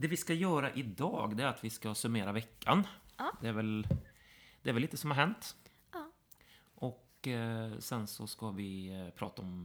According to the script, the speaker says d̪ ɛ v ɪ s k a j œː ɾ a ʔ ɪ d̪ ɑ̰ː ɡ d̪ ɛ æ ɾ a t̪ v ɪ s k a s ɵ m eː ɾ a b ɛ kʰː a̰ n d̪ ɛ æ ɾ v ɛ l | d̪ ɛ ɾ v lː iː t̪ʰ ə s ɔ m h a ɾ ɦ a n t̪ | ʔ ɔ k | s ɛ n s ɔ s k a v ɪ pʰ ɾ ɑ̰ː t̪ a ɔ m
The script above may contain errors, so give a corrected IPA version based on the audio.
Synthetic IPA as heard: d̪ ɛ v ɪ s k a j œː ɾ a ʔ ɪ d̪ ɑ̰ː ɡ d̪ ɛ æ ɾ a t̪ v ɪ s k a s ɵ m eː ɾ a v ɛ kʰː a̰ n d̪ ɛ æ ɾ v ɛ l | d̪ ɛ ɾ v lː iː t̪ ə s ɔ m h a ɾ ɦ ɛ n t̪ | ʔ ɔ k | s ɛ n s ɔ s k a v ɪ pʰ ɾ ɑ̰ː t̪ a ɔ m